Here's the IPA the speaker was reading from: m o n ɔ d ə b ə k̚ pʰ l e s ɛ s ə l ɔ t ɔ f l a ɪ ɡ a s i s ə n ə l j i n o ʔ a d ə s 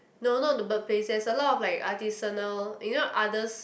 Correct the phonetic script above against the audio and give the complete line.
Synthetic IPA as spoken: n o n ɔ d ə b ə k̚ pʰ l e s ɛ s ə l ɔ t ɔ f l a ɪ k a t i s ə n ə l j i n o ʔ a d ə s